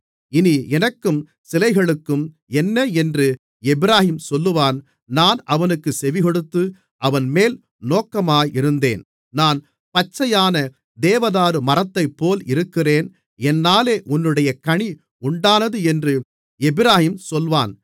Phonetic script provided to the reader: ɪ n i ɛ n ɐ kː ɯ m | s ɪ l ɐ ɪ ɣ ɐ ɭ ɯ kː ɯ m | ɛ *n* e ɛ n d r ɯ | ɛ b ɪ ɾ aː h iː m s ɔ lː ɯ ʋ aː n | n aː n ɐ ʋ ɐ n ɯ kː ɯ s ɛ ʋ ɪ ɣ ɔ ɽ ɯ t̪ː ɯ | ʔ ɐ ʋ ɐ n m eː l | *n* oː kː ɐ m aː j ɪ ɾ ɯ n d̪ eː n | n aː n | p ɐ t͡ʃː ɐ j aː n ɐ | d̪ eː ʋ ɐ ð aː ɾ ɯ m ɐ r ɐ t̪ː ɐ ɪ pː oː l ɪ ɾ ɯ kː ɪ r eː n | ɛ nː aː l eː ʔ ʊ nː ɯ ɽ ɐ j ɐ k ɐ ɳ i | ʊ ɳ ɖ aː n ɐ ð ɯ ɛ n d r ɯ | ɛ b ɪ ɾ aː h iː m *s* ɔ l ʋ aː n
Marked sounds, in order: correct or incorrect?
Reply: incorrect, correct, correct

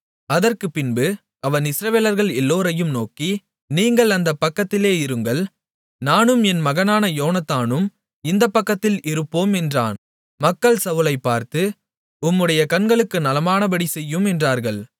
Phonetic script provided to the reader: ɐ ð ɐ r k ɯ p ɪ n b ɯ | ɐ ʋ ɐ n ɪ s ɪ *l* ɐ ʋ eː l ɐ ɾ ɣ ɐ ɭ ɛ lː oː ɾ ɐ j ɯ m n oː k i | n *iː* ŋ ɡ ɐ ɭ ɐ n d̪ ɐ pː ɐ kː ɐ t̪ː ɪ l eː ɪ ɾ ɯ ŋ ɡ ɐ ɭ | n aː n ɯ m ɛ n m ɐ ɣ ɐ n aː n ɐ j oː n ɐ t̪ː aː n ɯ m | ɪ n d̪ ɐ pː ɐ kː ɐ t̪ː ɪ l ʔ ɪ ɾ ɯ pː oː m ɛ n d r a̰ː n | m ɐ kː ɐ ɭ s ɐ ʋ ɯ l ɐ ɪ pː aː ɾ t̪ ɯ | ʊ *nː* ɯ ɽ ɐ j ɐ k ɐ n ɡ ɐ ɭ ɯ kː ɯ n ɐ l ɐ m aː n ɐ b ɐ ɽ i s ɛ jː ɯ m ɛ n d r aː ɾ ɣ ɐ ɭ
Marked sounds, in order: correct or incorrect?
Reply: incorrect, correct, incorrect

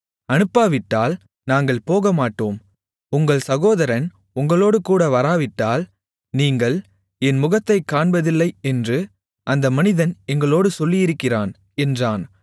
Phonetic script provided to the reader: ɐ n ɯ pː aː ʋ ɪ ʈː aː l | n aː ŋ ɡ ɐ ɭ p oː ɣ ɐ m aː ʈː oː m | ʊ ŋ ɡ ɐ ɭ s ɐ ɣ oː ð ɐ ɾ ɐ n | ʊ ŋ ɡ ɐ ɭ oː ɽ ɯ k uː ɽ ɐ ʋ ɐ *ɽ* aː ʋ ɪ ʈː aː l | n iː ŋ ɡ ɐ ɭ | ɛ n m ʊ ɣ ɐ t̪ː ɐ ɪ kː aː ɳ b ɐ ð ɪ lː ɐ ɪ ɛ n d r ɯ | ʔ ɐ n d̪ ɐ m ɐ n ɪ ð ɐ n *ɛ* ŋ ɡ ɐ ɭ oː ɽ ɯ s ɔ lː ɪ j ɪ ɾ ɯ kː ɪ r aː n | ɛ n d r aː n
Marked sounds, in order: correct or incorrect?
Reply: incorrect, correct

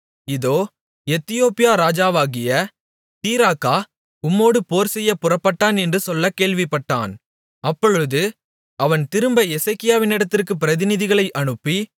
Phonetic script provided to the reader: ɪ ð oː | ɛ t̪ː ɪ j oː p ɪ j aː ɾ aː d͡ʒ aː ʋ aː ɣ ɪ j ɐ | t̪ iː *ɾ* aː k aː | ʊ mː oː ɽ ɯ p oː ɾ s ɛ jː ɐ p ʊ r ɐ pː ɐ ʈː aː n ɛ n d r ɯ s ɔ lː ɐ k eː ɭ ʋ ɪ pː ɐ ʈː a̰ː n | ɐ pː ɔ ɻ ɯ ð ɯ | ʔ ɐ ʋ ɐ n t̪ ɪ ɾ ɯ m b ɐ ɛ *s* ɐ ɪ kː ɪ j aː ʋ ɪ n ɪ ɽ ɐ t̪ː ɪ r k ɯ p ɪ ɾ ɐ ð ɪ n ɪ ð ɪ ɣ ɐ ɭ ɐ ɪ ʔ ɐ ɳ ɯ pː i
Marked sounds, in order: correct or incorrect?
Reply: correct, correct

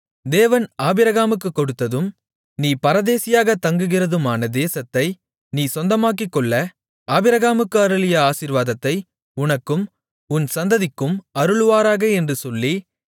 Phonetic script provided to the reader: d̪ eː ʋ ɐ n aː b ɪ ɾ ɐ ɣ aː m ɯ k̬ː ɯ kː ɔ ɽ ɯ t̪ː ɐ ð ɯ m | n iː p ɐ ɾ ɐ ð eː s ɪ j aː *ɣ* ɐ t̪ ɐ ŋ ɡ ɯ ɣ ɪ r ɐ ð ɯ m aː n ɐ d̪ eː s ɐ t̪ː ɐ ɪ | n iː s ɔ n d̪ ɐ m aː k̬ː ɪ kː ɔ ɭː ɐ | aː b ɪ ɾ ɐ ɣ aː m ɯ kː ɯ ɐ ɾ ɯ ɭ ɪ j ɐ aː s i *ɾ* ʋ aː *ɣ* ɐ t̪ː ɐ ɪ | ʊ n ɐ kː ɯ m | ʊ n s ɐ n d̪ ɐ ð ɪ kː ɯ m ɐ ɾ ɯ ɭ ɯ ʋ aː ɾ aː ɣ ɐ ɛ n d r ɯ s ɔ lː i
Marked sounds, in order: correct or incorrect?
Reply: correct, correct, incorrect

